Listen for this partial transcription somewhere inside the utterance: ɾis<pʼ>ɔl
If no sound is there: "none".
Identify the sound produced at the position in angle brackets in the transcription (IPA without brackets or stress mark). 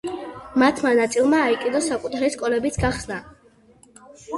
kʼ